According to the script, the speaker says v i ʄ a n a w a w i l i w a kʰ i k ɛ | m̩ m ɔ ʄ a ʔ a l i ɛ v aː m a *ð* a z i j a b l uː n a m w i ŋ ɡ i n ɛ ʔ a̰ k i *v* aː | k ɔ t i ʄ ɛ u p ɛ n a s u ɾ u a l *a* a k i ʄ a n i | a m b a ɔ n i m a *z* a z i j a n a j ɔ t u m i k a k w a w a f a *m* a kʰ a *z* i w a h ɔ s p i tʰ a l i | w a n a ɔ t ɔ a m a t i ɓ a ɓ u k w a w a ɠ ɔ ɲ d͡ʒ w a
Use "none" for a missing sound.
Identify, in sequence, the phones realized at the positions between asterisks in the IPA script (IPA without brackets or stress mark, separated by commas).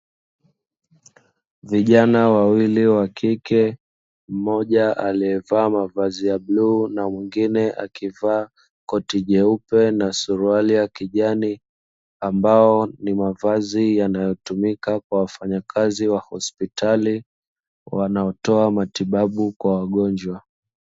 v, v, i, v, ɲ, z